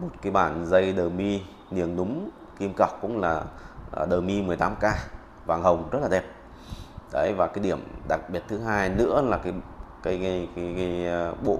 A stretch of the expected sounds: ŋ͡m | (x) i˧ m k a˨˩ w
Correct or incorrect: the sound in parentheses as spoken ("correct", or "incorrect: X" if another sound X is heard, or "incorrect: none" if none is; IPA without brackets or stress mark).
incorrect: k